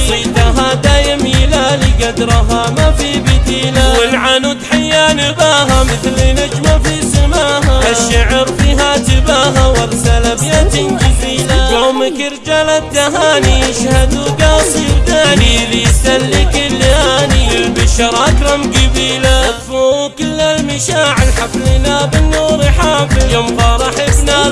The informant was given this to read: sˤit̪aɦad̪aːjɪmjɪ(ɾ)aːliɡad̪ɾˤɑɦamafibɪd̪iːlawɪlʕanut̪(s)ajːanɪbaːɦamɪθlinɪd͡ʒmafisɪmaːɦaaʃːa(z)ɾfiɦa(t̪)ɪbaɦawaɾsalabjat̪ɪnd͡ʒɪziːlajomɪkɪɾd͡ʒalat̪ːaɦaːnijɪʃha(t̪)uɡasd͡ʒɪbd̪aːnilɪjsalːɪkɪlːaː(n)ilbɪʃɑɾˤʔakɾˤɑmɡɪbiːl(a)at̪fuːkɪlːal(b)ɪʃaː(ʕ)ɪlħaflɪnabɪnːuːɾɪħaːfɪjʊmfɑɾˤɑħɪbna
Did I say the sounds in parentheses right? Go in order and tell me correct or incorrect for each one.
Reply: incorrect, incorrect, incorrect, correct, incorrect, correct, correct, incorrect, correct

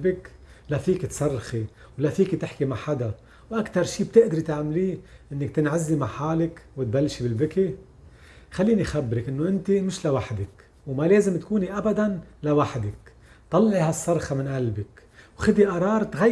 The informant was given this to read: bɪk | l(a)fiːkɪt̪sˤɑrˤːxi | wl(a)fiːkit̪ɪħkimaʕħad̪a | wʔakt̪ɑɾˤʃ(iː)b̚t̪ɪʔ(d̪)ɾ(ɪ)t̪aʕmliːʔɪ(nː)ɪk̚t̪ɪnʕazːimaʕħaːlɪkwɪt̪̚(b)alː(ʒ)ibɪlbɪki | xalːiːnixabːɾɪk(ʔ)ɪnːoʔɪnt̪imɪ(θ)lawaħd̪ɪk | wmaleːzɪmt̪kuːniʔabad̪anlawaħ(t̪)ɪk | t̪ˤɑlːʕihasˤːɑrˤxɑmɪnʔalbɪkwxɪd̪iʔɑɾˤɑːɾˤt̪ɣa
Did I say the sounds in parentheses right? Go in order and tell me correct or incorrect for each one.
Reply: correct, correct, correct, correct, incorrect, correct, correct, incorrect, correct, incorrect, incorrect

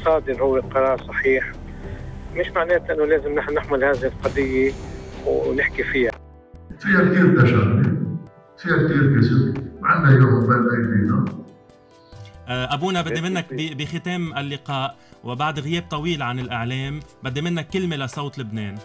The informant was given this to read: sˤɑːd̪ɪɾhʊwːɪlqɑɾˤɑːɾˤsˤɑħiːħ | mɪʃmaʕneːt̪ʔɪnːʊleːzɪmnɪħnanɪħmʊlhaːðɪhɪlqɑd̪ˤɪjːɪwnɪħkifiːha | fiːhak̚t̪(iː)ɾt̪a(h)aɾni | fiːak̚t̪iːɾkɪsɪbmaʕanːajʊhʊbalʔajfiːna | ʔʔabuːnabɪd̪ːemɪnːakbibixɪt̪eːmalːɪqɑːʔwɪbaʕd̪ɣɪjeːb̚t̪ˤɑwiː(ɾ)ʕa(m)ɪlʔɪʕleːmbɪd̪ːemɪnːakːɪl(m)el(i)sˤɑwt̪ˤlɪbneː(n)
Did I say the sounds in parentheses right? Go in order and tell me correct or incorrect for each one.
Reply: correct, incorrect, incorrect, incorrect, correct, incorrect, correct

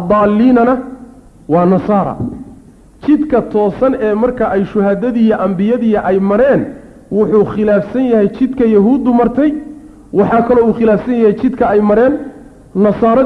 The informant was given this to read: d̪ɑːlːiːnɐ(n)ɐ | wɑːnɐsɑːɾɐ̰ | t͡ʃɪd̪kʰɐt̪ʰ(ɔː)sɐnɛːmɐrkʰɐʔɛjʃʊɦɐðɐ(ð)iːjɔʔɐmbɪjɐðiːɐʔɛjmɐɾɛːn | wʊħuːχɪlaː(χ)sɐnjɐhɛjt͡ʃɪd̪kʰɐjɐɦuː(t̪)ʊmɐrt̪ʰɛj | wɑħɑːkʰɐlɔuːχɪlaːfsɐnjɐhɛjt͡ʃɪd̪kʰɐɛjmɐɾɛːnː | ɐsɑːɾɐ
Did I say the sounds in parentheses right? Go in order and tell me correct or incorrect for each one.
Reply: correct, correct, correct, incorrect, incorrect

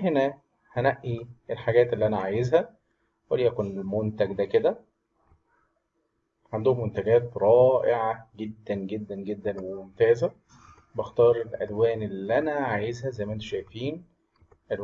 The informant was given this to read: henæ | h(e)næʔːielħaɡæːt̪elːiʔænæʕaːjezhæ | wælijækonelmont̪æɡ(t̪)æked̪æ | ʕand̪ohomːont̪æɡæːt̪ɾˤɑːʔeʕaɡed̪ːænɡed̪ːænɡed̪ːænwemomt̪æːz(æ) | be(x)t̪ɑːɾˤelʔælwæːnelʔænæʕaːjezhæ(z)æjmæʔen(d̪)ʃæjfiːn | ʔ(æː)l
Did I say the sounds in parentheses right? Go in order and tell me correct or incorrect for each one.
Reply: incorrect, incorrect, correct, correct, correct, incorrect, incorrect

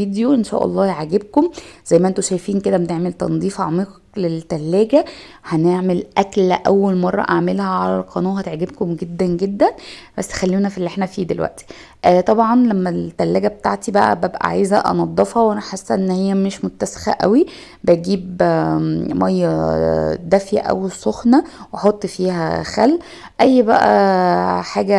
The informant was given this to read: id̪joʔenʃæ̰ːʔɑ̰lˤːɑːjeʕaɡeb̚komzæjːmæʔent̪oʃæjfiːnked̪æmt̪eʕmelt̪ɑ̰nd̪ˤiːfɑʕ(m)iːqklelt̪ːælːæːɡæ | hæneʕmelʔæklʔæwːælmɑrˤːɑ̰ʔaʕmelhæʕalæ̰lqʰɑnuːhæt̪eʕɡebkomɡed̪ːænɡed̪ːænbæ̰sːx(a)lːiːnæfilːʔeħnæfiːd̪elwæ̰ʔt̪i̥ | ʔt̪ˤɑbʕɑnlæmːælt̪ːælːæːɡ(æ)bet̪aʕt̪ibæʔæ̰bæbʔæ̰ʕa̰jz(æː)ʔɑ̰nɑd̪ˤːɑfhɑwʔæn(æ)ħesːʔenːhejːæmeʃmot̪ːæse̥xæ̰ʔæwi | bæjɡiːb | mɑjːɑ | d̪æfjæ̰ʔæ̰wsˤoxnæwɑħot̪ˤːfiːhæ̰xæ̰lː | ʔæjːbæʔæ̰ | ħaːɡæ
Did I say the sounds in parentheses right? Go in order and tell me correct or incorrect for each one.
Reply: correct, incorrect, correct, incorrect, correct

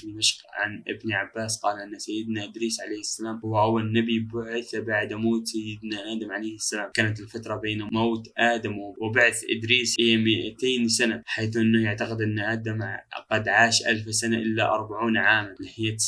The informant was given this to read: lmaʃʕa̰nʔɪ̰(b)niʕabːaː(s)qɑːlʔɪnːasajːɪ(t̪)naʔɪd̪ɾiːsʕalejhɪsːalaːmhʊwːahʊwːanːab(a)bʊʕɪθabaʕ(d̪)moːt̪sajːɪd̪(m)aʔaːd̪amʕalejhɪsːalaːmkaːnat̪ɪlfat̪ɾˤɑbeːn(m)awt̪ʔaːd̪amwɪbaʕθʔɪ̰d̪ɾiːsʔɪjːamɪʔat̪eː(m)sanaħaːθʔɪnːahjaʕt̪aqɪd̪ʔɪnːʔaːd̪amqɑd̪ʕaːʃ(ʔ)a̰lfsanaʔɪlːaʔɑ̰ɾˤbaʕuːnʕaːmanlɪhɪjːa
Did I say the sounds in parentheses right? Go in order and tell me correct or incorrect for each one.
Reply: correct, correct, incorrect, incorrect, correct, incorrect, correct, incorrect, correct

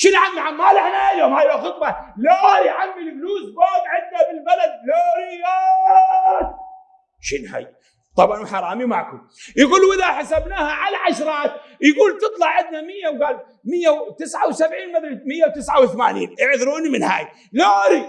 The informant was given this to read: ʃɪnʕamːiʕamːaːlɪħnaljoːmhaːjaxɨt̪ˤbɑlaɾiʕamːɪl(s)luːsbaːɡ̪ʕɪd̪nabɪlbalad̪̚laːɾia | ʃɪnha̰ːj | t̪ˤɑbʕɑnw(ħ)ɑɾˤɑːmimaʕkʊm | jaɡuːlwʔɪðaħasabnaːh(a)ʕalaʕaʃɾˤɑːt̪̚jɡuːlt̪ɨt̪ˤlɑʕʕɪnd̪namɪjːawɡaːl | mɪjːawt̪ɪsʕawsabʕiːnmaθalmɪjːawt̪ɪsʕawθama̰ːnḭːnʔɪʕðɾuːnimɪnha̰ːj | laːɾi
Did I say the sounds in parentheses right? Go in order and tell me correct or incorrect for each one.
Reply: incorrect, correct, correct

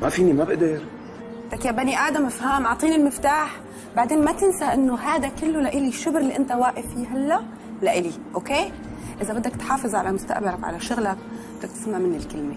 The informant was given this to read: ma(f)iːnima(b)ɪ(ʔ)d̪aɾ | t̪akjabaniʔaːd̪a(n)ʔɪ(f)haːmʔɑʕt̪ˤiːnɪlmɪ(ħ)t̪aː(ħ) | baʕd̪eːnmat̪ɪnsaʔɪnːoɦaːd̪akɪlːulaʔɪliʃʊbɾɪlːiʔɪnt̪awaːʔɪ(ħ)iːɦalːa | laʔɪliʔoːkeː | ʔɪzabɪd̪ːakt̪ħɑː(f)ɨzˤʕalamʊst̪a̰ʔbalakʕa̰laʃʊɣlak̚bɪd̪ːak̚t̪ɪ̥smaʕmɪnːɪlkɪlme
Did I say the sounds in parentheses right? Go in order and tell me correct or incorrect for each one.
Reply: correct, correct, correct, incorrect, correct, incorrect, correct, incorrect, correct

